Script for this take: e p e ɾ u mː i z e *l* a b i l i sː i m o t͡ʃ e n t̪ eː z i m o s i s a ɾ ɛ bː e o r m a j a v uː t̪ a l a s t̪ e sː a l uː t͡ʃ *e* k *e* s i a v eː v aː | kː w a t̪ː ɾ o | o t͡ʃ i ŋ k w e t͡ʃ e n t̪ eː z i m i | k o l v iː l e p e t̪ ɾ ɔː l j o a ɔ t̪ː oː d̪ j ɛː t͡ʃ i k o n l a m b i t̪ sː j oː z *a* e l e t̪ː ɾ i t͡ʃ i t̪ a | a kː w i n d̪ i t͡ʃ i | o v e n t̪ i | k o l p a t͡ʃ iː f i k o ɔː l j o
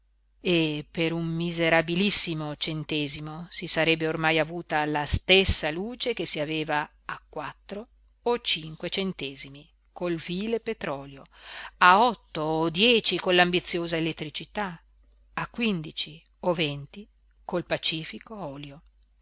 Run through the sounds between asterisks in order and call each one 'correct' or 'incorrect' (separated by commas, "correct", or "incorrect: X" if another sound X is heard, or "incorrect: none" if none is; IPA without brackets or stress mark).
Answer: incorrect: ɾ, correct, correct, correct